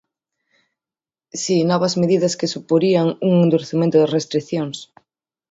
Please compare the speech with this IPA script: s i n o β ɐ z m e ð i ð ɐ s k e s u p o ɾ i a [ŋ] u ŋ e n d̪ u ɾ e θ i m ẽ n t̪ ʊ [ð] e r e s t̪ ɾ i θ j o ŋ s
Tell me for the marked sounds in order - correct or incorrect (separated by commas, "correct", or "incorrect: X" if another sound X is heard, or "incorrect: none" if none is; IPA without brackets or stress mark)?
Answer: correct, correct